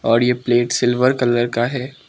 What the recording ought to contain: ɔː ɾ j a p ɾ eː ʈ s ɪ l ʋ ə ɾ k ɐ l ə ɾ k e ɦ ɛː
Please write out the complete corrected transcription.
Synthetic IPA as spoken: ɔː ɾ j e p l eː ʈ s ɪ l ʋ ə ɾ k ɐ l ə ɾ k a ɦ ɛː